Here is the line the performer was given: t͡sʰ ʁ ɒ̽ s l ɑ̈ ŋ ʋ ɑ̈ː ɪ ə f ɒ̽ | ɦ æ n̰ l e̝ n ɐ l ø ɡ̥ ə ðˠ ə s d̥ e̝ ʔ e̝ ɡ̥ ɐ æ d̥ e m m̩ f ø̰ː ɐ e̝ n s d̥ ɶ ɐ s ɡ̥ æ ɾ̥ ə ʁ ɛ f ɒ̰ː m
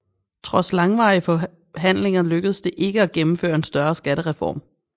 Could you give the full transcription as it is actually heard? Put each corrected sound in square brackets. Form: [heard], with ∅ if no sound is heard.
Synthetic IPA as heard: t͡sʰ ʁ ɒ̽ s l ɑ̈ ŋ ʋ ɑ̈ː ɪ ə f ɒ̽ | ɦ æ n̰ l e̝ [ŋ] ɐ l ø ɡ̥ ə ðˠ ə s d̥ e̝ ʔ e̝ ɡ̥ [ə] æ [ɡ̥] e m m̩ f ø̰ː ɐ e̝ n s d̥ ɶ ɐ s ɡ̥ æ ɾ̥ ə ʁ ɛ f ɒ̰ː m